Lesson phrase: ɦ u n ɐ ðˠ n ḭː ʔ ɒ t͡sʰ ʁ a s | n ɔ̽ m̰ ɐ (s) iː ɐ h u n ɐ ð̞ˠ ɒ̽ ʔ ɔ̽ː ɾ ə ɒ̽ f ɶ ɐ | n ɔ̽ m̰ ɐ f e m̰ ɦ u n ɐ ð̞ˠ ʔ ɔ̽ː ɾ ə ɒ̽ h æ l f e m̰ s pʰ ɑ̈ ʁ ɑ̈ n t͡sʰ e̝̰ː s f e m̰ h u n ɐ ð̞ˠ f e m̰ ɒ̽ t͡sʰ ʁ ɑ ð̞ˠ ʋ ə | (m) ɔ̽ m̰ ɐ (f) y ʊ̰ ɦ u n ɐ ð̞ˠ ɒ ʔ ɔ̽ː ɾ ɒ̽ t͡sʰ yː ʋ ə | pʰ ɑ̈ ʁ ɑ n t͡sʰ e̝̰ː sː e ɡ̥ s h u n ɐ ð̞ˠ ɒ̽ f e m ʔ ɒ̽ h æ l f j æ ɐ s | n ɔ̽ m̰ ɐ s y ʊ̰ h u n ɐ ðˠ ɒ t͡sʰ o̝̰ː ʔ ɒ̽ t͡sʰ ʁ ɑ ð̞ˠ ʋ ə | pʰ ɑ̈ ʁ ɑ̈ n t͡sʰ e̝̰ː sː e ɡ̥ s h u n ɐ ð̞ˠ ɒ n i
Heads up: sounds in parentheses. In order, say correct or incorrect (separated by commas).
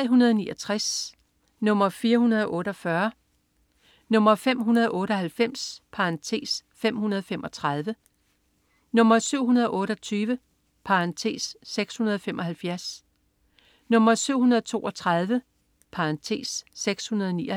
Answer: incorrect, incorrect, incorrect